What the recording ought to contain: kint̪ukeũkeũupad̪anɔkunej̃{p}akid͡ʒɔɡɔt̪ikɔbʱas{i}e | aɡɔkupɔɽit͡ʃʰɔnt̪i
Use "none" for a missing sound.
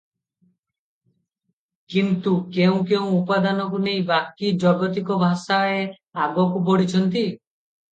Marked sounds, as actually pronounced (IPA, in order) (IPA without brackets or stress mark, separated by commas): b, a